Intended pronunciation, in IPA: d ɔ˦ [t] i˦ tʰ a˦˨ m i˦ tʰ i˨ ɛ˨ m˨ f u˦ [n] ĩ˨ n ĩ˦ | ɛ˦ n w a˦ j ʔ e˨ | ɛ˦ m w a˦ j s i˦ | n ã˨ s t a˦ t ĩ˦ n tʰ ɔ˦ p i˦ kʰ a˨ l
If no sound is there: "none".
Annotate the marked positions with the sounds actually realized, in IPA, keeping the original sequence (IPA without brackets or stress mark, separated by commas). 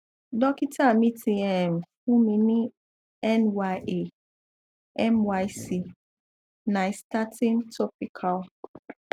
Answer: k, m